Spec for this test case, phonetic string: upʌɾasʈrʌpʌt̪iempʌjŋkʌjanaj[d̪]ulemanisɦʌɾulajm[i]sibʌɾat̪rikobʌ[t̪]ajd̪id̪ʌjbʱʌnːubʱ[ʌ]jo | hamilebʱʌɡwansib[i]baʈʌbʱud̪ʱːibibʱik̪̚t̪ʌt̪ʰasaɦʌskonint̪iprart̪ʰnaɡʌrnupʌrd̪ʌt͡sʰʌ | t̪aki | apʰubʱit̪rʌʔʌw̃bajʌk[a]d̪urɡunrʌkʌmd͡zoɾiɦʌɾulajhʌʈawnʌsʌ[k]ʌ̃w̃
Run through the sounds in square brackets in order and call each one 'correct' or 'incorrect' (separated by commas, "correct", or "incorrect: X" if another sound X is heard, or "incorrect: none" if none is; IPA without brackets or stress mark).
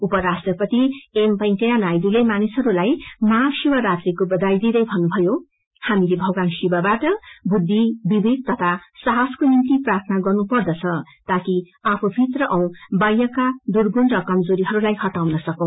correct, incorrect: a, incorrect: d̪, correct, incorrect: a, correct, correct